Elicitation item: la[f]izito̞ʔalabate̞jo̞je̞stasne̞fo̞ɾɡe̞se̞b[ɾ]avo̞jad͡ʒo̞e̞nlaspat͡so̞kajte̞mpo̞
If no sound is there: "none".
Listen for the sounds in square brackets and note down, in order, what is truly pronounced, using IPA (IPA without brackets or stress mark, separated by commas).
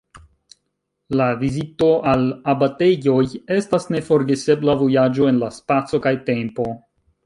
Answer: v, l